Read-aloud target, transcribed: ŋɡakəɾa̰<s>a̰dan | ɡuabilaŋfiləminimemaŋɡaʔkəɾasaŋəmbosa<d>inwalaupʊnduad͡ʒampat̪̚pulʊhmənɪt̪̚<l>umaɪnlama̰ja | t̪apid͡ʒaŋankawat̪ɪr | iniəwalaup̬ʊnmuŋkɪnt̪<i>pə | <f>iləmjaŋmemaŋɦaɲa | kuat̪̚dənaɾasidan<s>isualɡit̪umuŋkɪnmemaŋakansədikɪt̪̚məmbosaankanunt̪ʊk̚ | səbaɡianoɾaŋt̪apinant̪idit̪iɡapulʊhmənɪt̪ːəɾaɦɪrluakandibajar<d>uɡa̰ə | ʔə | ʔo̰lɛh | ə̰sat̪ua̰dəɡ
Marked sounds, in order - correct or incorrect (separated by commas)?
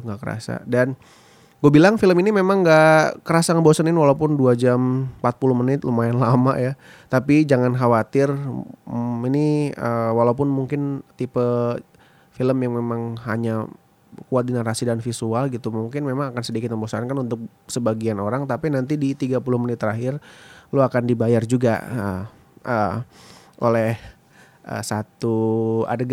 correct, incorrect, correct, correct, correct, incorrect, incorrect